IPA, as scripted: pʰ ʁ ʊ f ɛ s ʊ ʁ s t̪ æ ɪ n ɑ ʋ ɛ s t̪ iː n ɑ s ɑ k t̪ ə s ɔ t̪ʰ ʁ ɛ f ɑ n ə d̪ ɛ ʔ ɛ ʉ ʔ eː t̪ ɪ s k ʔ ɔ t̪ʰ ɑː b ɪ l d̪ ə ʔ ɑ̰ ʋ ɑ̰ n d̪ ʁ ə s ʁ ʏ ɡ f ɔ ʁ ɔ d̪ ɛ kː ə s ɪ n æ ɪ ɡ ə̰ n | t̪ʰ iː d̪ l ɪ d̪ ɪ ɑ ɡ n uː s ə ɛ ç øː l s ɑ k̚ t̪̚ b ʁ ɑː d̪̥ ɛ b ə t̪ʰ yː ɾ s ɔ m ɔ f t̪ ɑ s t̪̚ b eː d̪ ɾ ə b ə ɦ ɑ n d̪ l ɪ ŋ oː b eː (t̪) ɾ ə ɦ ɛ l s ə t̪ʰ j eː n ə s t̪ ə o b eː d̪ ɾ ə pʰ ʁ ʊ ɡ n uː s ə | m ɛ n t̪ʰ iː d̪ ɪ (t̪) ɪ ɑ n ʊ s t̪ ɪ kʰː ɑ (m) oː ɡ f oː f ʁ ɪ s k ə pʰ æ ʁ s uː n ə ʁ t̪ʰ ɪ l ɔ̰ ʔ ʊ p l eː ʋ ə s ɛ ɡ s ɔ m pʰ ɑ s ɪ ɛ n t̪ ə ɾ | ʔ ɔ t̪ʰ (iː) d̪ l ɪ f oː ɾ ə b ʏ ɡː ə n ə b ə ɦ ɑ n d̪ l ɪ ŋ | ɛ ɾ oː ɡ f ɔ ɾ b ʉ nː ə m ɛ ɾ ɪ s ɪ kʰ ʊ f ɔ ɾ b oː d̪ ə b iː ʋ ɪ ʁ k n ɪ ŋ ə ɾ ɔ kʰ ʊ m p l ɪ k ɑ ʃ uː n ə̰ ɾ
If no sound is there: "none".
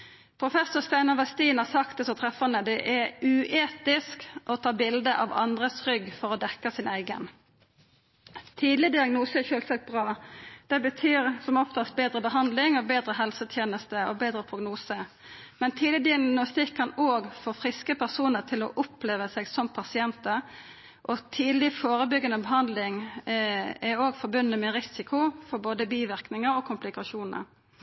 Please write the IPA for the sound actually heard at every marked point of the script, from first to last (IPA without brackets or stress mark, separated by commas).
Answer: d̪, d̪, n, iː